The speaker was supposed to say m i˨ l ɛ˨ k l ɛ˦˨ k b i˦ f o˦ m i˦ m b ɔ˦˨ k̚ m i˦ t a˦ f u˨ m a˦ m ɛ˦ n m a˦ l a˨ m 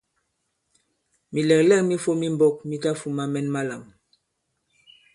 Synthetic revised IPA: m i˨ l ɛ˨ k l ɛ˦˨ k m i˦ f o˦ m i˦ m b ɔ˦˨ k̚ m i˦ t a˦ f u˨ m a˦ m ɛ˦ n m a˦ l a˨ m